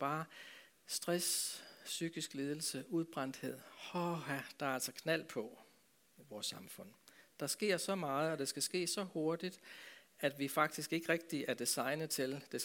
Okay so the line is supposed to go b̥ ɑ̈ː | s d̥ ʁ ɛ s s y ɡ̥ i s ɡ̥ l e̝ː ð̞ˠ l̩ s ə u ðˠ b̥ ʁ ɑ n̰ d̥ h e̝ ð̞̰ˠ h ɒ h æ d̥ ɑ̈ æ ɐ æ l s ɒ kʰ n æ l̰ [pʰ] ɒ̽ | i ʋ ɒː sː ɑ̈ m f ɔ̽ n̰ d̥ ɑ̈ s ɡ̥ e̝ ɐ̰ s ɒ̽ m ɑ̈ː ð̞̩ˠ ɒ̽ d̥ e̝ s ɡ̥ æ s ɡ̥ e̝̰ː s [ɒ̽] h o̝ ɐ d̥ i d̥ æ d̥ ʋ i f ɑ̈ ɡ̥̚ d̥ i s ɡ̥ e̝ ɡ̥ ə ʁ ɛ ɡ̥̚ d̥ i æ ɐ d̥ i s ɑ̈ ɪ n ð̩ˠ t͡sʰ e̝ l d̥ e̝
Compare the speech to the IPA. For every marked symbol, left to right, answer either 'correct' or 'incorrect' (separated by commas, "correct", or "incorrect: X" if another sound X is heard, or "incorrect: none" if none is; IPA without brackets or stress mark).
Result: correct, correct